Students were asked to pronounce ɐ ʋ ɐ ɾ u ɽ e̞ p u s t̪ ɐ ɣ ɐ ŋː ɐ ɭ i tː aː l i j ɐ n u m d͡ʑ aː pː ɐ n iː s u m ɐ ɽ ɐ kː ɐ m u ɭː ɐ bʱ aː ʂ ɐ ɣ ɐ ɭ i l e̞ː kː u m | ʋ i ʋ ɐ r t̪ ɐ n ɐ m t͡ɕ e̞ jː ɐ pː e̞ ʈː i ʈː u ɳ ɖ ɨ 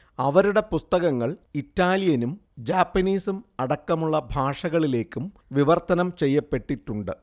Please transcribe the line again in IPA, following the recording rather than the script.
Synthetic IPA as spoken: ɐ ʋ ɐ ɾ u ɽ e̞ p u s t̪ ɐ ɣ ɐ ŋː ɐ ɭ i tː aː l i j ɐ n u m d͡ʑ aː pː ɐ n iː s u m ɐ ɽ ɐ kː ɐ m u ɭː ɐ bʱ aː ʂ ɐ ɣ ɐ ɭ i l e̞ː kː u m | ʋ i ʋ ɐ r t̪ ɐ n ɐ m t͡ɕ e̞ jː ɐ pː e̞ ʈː i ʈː u ɳ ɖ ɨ

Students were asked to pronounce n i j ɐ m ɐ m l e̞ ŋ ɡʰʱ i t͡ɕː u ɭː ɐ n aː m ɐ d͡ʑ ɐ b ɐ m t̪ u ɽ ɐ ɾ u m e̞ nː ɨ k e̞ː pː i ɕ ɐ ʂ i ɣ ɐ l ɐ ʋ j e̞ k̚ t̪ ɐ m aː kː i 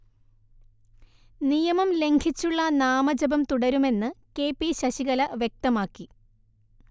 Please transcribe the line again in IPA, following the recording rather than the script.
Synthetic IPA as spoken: n i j ɐ m ɐ m l e̞ ŋ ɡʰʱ i t͡ɕː u ɭː ɐ n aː m ɐ d͡ʑ ɐ b ɐ m t̪ u ɽ ɐ ɾ u m e̞ nː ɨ k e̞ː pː i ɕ ɐ ɕ i ɣ ɐ l ɐ ʋ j e̞ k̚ t̪ ɐ m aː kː i

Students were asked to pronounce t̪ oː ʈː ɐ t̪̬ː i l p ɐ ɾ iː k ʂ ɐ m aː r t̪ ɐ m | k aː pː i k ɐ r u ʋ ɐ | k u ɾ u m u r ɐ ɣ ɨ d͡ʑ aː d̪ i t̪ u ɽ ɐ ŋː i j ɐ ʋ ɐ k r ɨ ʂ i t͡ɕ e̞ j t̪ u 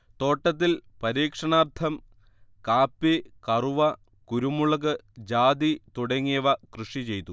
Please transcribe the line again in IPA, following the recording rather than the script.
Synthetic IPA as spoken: t̪ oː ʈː ɐ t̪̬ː i l p ɐ ɾ iː k ʂ ɐ ɳ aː r t̪ʰ ɐ m | k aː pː i k ɐ r u ʋ ɐ | k u ɾ u m u ɭ ɐ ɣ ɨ d͡ʑ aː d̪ i t̪ u ɽ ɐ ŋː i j ɐ ʋ ɐ k r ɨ ʂ i t͡ɕ e̞ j t̪ u

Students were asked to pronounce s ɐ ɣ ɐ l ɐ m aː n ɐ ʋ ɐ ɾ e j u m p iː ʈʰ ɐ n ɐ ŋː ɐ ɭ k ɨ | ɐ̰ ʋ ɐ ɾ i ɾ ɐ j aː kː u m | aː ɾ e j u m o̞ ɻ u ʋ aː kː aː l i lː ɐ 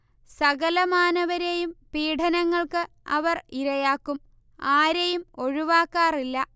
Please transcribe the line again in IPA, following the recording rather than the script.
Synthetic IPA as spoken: s ɐ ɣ ɐ l ɐ m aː n ɐ ʋ ɐ ɾ e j u m p iː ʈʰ ɐ n ɐ ŋː ɐ ɭ k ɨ | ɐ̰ ʋ ɐ r i ɾ ɐ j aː kː u m | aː ɾ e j u m o̞ ɻ u ʋ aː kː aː r i lː ɐ

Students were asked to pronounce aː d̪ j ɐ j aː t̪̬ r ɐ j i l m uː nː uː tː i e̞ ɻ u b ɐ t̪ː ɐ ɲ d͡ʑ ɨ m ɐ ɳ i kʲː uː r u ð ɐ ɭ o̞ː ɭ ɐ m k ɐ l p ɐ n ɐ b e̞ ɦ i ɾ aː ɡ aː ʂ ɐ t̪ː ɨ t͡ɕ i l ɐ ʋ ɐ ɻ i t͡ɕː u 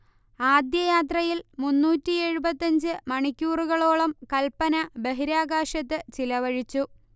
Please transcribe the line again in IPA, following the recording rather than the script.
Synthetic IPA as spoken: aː d̪ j ɐ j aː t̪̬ r ɐ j i l m u nː uː tː i e̞ ɻ u b ɐ t̪ː ɐ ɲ d͡ʑ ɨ m ɐ ɳ i kʲː uː r u ɣ ɐ ɭ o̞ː ɭ ɐ m k ɐ l p ɐ n ɐ b e̞ ɦ i ɾ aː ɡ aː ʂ ɐ t̪ː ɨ t͡ɕ i l ɐ ʋ ɐ ɻ i t͡ɕː u

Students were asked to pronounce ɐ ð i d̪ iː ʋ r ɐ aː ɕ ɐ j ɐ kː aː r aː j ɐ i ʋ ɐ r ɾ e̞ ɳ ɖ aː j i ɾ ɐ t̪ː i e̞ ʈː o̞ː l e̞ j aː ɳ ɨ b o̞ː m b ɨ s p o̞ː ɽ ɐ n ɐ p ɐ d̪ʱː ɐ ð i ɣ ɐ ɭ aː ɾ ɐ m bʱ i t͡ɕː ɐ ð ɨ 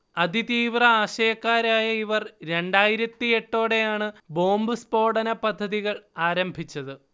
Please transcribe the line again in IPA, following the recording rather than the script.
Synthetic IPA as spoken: ɐ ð i t̪ iː ʋ r ɐ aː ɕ ɐ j ɐ kː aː ɾ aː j ɐ i ʋ ɐ r ɾ e̞ ɳ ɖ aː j i ɾ ɐ t̪ː i e̞ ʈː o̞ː ɽ e̞ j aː ɳ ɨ b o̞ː m b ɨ s p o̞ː ɽ ɐ n ɐ p ɐ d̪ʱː ɐ ð i ɣ ɐ ɭ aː ɾ ɐ m bʱ i t͡ɕː ɐ ð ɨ

